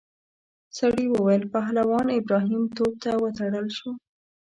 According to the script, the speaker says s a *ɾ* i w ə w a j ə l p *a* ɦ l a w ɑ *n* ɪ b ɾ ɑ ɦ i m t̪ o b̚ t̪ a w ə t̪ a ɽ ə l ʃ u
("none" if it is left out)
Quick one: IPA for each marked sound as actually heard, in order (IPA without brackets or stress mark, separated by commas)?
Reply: ɽ, a, n